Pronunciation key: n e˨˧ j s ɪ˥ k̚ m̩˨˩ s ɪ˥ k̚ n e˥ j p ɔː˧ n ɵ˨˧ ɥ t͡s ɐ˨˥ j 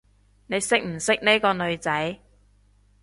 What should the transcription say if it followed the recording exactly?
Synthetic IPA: n e˨˧ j s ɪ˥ k̚ m̩˨˩ s ɪ˥ k̚ n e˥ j k ɔː˧ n ɵ˨˧ ɥ t͡s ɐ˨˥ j